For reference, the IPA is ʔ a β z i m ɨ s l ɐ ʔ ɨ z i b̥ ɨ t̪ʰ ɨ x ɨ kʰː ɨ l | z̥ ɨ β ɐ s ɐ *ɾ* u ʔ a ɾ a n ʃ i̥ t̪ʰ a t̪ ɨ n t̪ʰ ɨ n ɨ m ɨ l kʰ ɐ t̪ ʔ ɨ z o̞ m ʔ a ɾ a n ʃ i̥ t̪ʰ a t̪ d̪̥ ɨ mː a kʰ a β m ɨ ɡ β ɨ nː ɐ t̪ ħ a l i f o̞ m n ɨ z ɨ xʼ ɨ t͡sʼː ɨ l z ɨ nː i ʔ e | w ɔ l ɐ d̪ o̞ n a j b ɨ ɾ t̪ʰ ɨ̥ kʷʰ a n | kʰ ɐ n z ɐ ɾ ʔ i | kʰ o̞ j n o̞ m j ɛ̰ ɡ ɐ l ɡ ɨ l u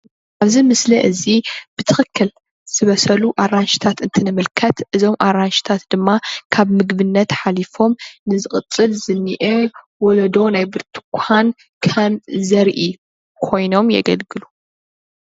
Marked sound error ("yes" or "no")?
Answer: yes